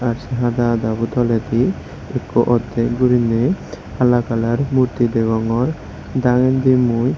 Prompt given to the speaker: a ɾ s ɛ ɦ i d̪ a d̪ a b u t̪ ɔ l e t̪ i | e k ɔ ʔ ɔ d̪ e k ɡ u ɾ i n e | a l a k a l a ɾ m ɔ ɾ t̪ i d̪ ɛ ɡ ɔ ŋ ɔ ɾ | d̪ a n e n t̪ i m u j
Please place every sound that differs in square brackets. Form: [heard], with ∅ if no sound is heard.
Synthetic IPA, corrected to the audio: a ɾ s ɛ ɦ [a] d̪ a d̪ a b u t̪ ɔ l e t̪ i | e k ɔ ʔ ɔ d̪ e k ɡ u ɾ i n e | a l a k a l a ɾ m [u] ɾ t̪ i d̪ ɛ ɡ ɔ ŋ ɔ ɾ | d̪ a [ŋ] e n [d̪] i m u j